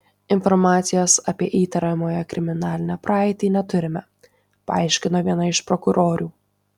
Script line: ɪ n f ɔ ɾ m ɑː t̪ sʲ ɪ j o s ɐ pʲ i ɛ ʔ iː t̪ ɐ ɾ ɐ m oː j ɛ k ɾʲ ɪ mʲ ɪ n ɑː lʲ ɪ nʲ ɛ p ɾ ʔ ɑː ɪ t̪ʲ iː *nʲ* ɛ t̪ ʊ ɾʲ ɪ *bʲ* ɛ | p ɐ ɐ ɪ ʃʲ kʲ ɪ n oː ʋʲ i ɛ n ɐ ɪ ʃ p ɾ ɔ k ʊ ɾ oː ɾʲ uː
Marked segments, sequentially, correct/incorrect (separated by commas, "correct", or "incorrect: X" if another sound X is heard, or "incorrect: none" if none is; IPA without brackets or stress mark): correct, incorrect: mʲ